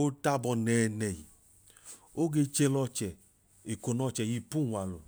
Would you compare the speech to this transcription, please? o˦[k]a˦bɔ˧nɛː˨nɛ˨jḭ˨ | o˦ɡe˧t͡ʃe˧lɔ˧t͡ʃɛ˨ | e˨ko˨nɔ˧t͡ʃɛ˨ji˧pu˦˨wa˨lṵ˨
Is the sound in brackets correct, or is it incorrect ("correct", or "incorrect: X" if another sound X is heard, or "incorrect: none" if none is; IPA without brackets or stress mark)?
incorrect: t